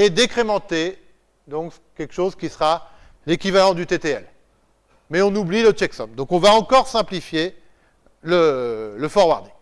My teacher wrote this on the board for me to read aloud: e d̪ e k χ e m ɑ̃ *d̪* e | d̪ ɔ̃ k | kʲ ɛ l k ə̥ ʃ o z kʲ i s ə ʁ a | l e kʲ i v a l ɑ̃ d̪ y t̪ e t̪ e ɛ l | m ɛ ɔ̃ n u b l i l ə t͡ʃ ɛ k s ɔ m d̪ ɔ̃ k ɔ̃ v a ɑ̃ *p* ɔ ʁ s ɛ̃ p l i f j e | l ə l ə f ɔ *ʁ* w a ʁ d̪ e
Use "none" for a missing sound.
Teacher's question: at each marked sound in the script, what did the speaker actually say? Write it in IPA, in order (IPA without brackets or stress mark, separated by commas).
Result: t̪, k, ʁ